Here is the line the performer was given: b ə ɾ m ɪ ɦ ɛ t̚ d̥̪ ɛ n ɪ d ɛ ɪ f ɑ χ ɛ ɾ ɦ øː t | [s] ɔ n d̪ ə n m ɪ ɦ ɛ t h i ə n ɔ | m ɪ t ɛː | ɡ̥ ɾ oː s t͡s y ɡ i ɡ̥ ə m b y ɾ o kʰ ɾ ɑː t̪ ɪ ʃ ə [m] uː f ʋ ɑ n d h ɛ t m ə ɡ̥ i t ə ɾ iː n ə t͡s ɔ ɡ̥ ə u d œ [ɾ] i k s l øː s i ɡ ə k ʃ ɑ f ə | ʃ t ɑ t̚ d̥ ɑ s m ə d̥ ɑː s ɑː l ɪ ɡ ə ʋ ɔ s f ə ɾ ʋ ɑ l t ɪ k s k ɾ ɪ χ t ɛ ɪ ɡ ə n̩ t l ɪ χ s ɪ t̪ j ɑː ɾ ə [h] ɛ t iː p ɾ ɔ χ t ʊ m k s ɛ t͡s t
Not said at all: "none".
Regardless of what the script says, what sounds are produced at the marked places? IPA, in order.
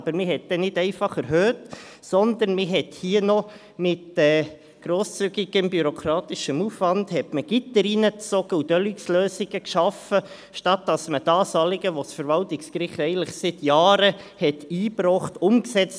s, m, l, h

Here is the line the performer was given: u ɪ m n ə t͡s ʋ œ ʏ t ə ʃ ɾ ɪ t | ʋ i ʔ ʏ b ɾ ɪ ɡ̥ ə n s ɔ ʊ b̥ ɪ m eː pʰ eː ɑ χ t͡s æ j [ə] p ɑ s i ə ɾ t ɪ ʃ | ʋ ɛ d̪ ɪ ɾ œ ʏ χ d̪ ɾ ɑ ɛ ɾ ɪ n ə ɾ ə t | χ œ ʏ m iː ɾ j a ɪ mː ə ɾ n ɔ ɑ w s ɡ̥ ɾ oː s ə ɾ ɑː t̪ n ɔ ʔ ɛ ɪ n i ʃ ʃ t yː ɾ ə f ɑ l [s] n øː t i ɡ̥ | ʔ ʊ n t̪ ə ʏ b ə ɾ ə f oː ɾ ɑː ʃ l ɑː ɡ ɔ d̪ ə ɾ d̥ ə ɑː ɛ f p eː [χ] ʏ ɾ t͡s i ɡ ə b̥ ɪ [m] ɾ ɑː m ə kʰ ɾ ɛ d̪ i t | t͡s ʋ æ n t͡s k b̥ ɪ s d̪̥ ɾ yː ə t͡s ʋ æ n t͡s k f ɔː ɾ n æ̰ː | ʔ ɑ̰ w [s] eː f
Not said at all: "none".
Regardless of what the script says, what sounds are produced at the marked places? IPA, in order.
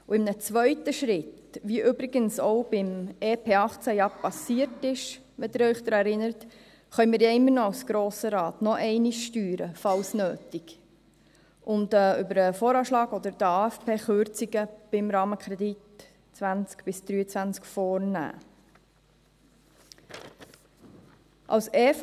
ɑ, s, χ, m, s

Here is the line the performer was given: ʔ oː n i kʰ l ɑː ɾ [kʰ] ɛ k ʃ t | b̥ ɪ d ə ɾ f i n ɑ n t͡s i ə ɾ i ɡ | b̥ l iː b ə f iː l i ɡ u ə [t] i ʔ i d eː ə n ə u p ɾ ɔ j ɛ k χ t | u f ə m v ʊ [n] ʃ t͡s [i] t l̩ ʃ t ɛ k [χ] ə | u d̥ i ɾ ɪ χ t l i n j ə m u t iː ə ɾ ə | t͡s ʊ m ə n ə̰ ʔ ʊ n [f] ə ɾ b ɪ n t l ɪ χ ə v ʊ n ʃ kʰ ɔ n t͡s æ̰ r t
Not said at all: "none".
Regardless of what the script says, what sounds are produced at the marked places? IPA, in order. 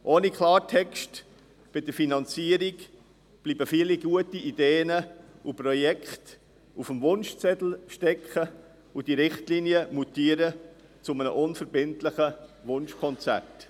tʰ, t, n, ɛ, χ, f

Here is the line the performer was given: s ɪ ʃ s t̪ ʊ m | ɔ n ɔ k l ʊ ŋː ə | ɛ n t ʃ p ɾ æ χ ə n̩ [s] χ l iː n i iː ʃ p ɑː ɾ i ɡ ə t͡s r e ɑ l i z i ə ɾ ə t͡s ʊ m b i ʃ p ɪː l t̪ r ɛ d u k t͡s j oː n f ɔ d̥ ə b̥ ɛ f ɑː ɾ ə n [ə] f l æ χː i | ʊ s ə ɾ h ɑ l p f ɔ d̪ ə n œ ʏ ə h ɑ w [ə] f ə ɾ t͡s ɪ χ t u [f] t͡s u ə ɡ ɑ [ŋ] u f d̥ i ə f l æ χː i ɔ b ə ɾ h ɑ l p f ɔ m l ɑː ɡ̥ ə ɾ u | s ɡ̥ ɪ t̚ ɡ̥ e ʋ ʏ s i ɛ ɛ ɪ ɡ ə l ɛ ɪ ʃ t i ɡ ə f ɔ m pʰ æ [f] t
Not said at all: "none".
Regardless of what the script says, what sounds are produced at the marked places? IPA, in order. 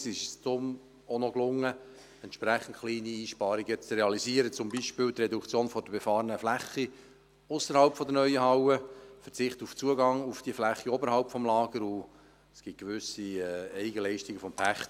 t, ə, ə, f, ŋ, χ

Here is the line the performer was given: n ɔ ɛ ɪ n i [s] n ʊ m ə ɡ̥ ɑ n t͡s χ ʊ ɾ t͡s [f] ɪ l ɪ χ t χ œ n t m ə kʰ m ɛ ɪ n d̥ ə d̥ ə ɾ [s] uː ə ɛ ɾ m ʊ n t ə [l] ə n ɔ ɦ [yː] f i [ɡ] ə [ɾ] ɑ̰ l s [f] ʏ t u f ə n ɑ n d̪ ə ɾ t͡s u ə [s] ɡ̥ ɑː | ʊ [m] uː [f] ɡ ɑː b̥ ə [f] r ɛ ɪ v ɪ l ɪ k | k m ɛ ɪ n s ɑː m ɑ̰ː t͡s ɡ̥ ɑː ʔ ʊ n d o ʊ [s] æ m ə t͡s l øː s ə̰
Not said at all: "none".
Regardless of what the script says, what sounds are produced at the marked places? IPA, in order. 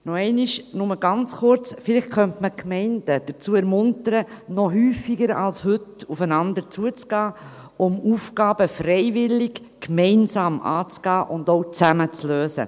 ʃ, f, t͡s, ɾ, yː, ɡ, ɾ, h, t͡s, m, f, f, t͡s

